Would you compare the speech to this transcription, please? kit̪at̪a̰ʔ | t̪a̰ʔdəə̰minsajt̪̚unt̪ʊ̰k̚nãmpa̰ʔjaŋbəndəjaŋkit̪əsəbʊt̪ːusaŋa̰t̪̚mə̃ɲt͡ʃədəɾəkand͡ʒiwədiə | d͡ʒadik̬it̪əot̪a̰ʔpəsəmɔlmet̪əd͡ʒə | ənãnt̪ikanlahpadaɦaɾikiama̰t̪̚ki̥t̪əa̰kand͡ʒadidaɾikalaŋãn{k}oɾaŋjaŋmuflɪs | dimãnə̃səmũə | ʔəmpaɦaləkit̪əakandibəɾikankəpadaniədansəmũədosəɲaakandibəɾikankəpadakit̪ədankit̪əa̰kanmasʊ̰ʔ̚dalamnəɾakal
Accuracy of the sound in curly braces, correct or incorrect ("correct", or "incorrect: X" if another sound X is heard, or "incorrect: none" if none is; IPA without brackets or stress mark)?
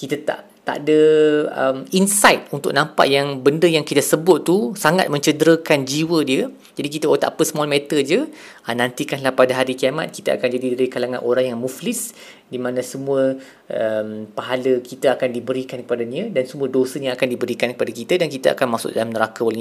incorrect: ʔ